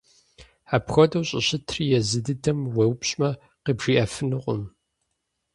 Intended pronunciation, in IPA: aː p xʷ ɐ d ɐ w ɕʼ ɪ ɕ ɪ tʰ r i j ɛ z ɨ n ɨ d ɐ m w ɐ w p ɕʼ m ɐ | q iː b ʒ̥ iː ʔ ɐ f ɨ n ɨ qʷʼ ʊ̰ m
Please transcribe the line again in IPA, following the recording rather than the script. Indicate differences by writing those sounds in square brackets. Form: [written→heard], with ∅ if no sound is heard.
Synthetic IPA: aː p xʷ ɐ d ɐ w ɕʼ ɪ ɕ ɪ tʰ r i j ɛ z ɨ [n→d] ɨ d ɐ m w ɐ w p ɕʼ m ɐ | q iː b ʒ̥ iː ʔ ɐ f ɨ n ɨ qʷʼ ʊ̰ m